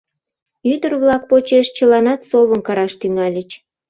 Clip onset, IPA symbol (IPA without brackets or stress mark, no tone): y